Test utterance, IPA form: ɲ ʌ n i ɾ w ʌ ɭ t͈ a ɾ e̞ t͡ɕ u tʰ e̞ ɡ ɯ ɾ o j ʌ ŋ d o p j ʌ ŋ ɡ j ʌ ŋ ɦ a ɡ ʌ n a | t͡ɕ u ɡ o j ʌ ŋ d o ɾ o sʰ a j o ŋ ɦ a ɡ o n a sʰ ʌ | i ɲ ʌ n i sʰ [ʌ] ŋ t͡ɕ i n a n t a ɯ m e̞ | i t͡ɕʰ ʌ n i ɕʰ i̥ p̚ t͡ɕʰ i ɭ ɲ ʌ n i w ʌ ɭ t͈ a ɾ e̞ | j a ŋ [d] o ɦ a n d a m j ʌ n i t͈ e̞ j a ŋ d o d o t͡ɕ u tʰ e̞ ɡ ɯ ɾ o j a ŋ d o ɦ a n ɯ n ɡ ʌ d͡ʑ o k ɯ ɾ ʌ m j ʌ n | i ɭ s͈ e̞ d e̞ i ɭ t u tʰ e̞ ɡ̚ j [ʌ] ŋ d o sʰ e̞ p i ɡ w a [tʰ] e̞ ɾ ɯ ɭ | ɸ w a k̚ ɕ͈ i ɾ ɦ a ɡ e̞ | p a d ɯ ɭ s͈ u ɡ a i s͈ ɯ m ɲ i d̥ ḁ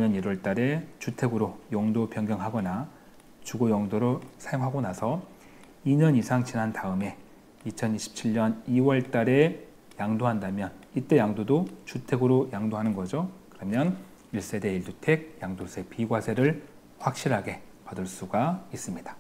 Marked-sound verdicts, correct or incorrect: incorrect: a, correct, incorrect: a, incorrect: sʰ

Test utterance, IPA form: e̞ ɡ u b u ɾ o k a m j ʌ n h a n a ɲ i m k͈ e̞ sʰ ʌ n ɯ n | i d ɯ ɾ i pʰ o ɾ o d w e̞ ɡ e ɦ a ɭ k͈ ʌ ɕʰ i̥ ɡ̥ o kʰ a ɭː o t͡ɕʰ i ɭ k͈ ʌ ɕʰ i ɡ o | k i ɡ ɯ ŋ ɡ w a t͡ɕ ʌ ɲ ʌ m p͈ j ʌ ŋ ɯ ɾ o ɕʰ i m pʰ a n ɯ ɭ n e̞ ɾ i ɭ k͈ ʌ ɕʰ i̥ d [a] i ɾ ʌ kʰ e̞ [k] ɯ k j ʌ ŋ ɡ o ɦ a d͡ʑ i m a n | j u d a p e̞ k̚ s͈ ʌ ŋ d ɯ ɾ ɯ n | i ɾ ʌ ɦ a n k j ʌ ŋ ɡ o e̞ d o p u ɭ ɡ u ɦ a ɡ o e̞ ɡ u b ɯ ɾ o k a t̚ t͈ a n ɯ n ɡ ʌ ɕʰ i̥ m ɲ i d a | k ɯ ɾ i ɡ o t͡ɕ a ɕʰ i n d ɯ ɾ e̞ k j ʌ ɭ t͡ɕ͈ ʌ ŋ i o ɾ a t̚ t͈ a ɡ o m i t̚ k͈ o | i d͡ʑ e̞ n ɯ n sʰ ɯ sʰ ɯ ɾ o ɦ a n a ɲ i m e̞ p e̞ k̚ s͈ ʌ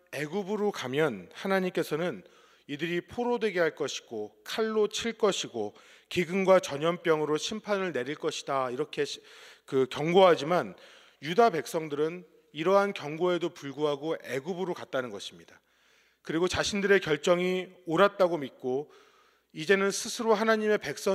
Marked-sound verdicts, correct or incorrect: correct, correct

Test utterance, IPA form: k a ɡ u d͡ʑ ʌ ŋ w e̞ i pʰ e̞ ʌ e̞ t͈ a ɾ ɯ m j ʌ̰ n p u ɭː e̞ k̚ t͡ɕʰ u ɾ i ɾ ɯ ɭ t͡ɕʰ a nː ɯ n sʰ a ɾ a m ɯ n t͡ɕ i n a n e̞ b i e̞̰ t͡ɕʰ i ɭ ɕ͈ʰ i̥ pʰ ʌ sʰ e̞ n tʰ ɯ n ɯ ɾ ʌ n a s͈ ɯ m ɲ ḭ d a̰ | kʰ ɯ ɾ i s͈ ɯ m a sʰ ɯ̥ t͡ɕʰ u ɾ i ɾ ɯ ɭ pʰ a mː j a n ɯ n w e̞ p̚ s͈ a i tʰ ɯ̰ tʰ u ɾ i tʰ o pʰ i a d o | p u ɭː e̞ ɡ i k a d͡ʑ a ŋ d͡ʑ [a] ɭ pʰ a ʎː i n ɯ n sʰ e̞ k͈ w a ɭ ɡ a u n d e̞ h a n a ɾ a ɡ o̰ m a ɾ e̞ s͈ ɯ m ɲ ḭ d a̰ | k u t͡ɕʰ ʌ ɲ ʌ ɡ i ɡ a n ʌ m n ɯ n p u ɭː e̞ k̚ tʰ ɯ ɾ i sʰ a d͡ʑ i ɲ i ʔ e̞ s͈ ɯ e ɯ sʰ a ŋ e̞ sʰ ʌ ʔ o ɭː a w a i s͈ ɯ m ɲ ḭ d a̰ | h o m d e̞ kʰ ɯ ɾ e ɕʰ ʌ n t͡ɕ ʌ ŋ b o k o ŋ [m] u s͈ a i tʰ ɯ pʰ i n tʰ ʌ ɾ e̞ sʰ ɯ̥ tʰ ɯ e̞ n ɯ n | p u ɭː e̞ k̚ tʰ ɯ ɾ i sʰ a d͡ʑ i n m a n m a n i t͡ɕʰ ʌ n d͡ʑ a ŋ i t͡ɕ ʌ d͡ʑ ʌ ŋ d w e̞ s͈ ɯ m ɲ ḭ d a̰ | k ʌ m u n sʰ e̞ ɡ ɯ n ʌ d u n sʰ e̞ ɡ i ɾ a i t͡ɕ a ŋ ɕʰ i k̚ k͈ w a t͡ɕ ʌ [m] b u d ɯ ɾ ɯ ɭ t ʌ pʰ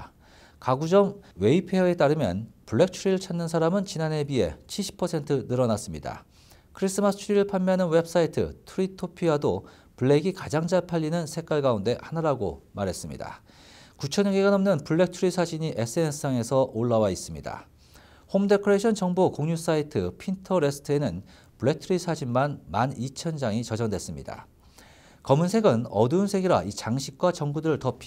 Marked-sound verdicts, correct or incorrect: correct, incorrect: ɲ, incorrect: ŋ

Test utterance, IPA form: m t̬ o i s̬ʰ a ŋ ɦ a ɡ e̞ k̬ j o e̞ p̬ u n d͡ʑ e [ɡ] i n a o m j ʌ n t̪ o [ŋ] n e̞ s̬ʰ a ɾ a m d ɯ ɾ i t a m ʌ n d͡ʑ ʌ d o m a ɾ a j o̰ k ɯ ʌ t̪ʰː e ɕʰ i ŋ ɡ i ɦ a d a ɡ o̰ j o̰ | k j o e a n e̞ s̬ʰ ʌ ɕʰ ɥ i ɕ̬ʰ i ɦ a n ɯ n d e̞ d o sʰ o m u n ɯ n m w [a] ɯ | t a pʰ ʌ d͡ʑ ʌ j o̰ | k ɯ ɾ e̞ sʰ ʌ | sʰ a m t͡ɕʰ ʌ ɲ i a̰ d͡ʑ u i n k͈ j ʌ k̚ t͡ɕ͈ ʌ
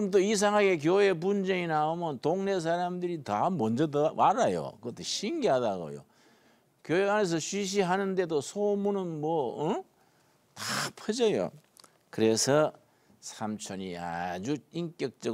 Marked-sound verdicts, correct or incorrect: incorrect: ŋ, correct, incorrect: ʌ

